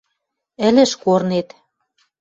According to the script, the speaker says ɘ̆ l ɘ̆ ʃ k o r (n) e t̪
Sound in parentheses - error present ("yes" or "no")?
no